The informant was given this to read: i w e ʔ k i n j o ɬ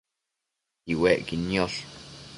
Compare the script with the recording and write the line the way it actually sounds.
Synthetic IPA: i w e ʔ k i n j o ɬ